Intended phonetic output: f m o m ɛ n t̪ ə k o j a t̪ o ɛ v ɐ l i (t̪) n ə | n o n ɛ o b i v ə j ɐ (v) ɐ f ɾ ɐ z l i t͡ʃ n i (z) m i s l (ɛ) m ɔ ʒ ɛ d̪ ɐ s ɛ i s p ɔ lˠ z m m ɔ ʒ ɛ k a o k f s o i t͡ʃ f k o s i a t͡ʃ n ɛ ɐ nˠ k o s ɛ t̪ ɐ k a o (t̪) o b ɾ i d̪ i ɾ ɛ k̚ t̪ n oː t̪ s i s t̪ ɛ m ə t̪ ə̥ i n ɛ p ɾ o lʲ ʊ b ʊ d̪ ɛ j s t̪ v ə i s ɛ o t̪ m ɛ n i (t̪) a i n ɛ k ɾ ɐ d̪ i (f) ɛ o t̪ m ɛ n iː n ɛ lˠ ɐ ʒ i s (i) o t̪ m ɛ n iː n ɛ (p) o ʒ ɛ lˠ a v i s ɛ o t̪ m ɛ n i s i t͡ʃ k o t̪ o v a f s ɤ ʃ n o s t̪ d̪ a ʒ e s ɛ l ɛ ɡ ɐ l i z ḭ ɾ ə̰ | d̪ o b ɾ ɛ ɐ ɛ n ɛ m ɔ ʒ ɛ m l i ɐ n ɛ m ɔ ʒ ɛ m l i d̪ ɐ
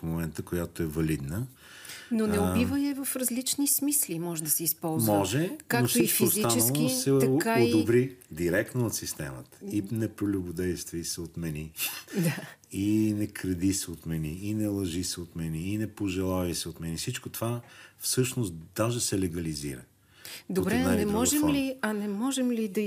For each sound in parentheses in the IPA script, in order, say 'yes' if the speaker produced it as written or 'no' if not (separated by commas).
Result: no, yes, no, no, no, no, no, no, yes